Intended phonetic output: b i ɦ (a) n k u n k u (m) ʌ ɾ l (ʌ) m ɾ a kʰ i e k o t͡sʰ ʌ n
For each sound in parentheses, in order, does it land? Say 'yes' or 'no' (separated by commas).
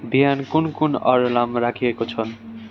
yes, no, no